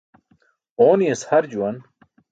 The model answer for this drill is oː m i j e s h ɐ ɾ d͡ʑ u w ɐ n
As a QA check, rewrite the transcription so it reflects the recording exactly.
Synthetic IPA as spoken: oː n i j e s h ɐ ɾ d͡ʑ u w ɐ n